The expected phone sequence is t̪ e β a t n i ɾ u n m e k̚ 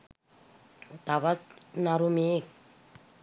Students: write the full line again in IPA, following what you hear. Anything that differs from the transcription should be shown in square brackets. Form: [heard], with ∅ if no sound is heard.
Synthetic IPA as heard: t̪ [a] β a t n [a] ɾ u [∅] m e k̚